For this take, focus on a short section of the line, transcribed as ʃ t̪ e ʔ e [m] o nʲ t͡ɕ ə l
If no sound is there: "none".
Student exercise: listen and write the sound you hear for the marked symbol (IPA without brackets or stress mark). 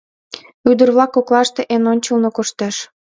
n